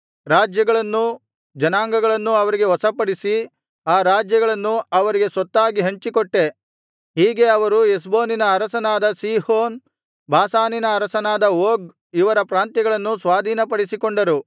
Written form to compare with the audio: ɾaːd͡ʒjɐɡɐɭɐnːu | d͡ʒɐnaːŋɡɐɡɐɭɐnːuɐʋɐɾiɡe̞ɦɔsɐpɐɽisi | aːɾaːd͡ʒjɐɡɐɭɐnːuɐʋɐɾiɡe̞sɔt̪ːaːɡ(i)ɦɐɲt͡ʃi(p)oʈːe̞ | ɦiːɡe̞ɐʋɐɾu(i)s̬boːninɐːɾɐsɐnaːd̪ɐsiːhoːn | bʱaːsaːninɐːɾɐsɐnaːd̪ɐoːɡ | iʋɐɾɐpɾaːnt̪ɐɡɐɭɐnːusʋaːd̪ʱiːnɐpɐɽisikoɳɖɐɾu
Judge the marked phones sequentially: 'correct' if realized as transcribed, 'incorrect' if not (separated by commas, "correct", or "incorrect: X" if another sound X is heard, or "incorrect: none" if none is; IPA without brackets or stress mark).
correct, incorrect: k, incorrect: e